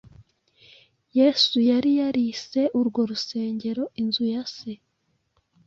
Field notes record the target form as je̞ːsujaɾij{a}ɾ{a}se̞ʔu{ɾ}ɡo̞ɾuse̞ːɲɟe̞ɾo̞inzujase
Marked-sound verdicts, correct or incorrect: correct, incorrect, correct

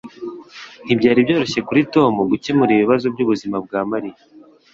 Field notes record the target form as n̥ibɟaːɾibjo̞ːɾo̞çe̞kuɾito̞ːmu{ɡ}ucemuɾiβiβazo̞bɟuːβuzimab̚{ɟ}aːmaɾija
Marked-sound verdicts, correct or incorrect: correct, incorrect

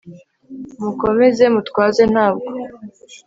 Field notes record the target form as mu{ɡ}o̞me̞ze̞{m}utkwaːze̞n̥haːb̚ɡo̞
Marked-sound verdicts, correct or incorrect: incorrect, correct

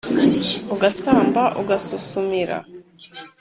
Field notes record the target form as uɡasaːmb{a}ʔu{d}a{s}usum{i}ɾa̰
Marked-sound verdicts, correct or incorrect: correct, incorrect, correct, correct

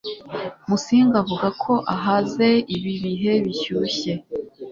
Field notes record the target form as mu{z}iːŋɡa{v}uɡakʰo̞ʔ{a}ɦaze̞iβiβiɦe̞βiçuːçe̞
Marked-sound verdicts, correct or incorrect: incorrect, correct, correct

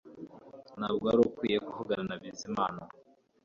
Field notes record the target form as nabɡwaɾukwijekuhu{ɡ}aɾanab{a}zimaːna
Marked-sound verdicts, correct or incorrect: correct, incorrect

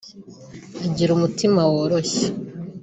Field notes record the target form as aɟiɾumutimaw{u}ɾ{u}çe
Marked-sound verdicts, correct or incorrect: incorrect, incorrect

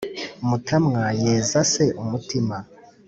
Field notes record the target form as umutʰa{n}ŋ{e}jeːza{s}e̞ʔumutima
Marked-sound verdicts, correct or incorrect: incorrect, incorrect, correct

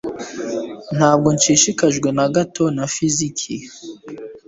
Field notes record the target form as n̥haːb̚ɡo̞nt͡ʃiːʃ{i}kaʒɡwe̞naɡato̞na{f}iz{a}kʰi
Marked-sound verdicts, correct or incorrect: correct, correct, incorrect

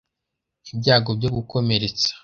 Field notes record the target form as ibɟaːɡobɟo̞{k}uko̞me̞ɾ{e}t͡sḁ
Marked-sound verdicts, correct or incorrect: incorrect, correct

